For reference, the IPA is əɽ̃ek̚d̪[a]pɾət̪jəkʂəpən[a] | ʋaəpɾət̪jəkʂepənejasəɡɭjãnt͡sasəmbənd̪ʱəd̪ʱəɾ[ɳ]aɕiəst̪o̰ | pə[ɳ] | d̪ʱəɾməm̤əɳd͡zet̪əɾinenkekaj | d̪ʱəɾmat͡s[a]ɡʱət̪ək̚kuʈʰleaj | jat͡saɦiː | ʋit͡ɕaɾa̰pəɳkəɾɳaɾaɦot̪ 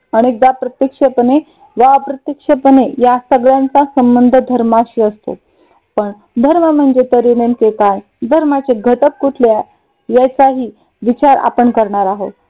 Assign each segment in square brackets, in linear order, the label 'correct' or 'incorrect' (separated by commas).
correct, incorrect, incorrect, correct, incorrect